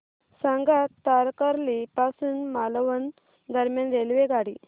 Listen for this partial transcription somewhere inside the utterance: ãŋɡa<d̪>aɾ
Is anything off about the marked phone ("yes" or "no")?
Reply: yes